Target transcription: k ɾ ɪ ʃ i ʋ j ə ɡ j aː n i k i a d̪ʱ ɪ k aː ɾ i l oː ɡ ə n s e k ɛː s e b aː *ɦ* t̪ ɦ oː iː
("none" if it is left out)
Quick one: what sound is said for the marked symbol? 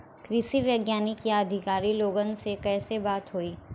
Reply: none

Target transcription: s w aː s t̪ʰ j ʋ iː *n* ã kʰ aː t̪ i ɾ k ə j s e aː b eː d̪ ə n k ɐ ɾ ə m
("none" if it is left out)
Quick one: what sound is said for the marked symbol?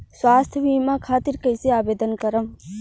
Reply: m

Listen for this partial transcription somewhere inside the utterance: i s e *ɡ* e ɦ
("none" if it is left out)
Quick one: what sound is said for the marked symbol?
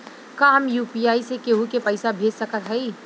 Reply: k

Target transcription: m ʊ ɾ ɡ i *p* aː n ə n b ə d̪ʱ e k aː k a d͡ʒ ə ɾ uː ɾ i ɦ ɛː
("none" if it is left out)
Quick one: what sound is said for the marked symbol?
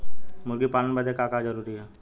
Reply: p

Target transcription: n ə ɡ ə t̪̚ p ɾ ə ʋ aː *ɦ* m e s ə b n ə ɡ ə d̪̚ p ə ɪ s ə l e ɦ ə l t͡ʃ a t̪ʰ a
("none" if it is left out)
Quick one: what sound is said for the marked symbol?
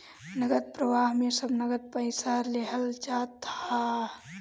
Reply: ɦ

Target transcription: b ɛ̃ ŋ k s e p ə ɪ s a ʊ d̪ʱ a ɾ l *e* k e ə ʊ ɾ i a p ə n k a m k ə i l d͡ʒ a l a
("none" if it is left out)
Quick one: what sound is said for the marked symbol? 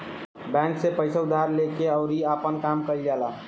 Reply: e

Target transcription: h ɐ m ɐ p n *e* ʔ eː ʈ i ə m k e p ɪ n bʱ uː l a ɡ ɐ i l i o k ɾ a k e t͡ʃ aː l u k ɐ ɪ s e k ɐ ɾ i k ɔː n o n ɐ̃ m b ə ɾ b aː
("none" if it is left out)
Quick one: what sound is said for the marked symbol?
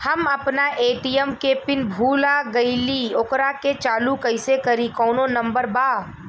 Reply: a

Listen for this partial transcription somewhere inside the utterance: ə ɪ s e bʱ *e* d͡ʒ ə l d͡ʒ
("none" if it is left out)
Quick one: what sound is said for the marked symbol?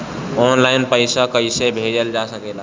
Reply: e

